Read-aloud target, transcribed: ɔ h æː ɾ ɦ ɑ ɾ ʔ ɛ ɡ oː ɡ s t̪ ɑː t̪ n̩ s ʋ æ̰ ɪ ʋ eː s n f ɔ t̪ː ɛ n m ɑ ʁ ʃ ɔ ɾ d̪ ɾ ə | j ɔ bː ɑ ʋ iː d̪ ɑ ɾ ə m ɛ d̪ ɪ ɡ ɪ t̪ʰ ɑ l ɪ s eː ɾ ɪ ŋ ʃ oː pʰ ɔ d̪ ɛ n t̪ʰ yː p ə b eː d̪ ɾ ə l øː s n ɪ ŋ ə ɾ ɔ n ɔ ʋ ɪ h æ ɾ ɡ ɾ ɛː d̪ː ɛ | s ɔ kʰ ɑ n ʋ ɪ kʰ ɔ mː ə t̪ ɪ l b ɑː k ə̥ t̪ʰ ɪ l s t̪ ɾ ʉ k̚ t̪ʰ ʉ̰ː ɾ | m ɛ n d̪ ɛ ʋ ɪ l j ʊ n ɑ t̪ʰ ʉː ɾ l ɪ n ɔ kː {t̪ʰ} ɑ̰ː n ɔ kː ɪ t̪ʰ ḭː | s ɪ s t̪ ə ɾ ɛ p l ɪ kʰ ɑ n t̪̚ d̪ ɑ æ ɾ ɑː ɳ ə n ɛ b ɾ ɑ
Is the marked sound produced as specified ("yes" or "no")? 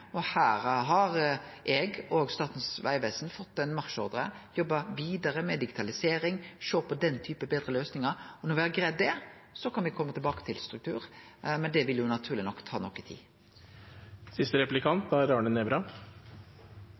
yes